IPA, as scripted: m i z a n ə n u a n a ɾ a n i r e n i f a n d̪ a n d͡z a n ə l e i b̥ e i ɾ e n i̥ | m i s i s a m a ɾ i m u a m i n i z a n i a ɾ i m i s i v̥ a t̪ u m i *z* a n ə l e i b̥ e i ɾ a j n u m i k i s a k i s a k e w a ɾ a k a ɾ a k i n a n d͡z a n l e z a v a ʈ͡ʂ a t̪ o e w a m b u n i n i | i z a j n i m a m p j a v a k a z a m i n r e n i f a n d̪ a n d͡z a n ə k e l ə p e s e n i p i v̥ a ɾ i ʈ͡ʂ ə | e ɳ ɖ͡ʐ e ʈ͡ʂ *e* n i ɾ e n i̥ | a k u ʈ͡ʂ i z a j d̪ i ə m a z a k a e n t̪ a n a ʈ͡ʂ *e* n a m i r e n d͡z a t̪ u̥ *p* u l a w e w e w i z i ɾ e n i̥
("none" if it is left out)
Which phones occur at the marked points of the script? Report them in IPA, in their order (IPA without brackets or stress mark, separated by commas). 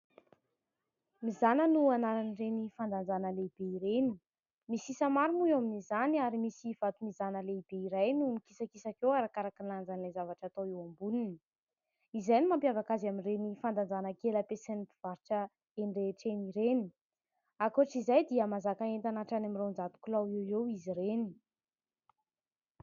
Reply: z, e, a, k